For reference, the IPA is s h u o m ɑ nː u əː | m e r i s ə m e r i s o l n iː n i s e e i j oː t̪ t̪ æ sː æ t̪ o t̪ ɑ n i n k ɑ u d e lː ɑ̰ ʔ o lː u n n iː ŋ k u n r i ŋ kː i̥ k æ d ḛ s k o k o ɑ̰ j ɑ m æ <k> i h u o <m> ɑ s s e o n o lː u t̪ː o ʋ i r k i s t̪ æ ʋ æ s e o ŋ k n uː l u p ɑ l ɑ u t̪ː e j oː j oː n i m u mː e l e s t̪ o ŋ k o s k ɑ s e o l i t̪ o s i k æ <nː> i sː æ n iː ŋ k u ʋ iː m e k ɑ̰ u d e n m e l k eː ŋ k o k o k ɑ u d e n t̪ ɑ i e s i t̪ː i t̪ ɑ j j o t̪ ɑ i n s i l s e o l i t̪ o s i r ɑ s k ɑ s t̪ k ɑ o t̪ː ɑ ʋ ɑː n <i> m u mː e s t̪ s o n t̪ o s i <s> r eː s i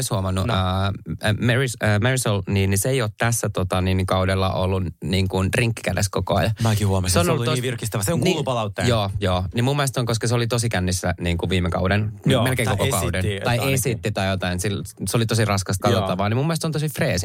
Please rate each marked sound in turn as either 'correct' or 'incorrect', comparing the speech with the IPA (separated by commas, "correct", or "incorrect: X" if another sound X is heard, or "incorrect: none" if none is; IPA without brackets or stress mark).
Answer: correct, correct, correct, correct, incorrect: f